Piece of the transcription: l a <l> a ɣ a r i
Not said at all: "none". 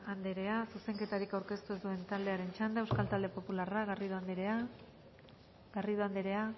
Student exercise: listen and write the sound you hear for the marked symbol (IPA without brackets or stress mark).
r